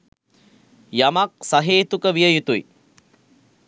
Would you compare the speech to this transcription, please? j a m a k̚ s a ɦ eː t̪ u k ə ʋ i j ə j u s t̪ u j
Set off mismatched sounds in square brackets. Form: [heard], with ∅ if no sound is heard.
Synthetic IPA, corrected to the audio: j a m a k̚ s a ɦ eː t̪ u k ə ʋ i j ə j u [∅] t̪ u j